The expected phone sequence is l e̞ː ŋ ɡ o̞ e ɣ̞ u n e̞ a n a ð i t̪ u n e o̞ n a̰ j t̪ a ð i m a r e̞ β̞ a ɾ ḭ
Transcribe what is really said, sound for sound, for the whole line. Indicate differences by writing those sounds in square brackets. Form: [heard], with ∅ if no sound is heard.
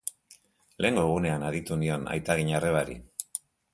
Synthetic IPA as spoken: l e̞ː ŋ ɡ o̞ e ɣ̞ u n e̞ a n a ð i t̪ u n [i] o̞ n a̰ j t̪ a [ɣ] i [ɲ] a r e̞ β̞ a ɾ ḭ